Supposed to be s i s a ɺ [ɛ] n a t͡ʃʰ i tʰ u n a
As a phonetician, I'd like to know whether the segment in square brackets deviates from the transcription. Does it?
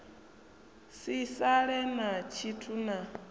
no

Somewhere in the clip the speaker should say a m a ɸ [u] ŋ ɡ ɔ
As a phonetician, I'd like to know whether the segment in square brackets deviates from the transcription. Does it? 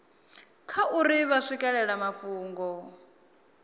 yes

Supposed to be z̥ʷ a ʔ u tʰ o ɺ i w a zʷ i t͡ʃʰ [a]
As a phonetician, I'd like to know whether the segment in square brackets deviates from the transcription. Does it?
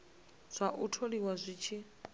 yes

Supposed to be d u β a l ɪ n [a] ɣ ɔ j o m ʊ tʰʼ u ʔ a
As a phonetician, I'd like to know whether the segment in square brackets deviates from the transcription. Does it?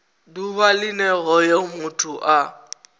yes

